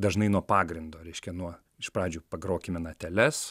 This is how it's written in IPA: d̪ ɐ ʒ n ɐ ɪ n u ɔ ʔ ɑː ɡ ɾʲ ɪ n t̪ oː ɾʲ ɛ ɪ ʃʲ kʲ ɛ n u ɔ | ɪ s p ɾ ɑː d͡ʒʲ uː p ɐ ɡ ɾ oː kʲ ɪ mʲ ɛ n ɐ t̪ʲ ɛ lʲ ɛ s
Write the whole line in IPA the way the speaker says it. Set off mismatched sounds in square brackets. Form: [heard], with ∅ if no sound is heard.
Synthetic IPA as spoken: d̪ ɐ ʒ n ɐ ɪ n u ɔ [p] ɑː ɡ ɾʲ ɪ n [d̪] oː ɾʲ ɛ ɪ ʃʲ kʲ ɛ n u ɔ | ɪ [ʃ] p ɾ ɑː d͡ʒʲ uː p ɐ ɡ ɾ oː kʲ ɪ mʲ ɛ n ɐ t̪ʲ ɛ lʲ ɛ s